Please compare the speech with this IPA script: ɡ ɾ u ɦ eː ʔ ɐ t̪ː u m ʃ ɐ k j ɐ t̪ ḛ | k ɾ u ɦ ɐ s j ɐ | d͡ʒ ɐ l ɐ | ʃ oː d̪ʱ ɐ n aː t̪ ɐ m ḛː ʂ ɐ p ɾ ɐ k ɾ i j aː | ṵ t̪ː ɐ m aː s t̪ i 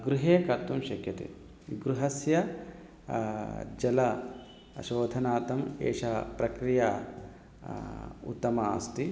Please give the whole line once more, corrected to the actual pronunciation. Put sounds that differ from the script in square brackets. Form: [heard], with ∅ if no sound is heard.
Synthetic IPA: ɡ ɾ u ɦ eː [k] ɐ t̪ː u m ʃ ɐ k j ɐ t̪ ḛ | [ɡ] ɾ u ɦ ɐ s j ɐ | d͡ʒ ɐ l ɐ | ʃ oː d̪ʱ ɐ n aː t̪ ɐ m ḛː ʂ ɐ p ɾ ɐ k ɾ i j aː | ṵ t̪ː ɐ m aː s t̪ i

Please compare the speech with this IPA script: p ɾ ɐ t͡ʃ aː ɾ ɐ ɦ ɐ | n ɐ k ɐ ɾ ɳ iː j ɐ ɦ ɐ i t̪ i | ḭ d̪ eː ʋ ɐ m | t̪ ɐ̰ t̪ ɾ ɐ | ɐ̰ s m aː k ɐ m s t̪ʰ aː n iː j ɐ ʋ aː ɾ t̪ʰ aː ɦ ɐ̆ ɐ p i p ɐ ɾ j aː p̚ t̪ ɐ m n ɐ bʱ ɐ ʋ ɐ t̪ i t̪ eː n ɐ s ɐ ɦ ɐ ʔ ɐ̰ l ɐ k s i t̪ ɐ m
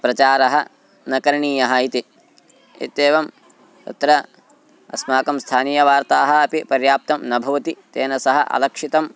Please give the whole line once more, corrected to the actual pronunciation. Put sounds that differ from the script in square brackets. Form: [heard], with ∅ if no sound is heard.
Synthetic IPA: p ɾ ɐ t͡ʃ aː ɾ ɐ ɦ ɐ | n ɐ k ɐ ɾ ɳ iː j ɐ ɦ ɐ i t̪ i | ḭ [t̪] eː ʋ ɐ m | t̪ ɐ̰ t̪ ɾ ɐ | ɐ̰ s m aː k ɐ m s t̪ʰ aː n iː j ɐ ʋ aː ɾ [t̪] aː ɦ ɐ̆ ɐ p i p ɐ ɾ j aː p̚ t̪ ɐ m n ɐ bʱ ɐ ʋ ɐ t̪ i t̪ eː n ɐ s ɐ ɦ ɐ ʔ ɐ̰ l ɐ k [ʂ] i t̪ ɐ m

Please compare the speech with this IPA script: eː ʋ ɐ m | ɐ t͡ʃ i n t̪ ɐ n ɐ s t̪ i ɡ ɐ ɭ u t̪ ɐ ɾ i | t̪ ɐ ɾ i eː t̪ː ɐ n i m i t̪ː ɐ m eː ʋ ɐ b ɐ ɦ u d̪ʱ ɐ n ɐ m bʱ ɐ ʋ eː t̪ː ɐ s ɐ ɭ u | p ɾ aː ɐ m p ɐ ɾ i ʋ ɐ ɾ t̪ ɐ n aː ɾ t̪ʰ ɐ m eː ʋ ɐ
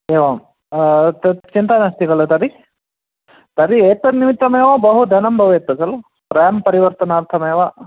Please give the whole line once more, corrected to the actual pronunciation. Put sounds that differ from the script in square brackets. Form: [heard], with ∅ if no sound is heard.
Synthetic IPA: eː ʋ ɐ m | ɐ t͡ʃ i n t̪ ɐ n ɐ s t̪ i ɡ ɐ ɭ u t̪ ɐ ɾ i | t̪ ɐ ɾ i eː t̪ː ɐ n i m i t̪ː ɐ m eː ʋ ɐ b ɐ ɦ u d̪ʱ ɐ n ɐ m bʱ ɐ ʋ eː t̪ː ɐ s ɐ [l] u | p ɾ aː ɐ m p ɐ ɾ i ʋ ɐ ɾ t̪ ɐ n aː ɾ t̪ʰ ɐ m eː ʋ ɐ

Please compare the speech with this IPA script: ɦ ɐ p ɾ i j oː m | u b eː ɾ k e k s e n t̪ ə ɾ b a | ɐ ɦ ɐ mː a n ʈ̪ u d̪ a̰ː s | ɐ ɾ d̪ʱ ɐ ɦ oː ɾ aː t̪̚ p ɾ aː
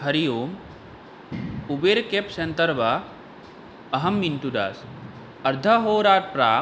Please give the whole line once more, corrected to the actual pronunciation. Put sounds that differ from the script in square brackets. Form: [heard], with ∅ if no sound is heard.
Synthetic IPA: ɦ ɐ [∅] ɾ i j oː m | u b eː ɾ k e [p] s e n t̪ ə ɾ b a | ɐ ɦ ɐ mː [i] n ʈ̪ u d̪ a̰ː s | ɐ ɾ d̪ʱ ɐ ɦ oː ɾ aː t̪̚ p ɾ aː

